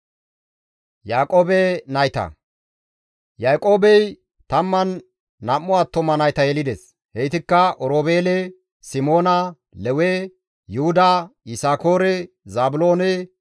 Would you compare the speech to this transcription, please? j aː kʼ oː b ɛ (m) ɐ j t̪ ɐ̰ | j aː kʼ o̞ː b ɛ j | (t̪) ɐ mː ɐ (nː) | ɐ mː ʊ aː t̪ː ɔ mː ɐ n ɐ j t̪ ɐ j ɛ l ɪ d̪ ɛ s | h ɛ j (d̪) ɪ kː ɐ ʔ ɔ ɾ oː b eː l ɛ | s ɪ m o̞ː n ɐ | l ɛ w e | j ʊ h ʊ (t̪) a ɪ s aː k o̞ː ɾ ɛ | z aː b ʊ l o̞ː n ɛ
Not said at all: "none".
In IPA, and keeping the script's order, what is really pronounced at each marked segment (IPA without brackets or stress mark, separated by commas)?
n, t̪, nː, t̪, d̪